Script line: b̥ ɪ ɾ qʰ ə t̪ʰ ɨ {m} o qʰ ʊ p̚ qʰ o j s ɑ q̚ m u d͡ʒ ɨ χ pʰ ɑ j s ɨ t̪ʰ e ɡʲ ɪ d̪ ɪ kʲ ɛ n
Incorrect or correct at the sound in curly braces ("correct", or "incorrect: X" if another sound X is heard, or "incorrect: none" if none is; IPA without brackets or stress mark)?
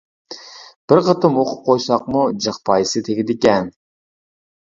correct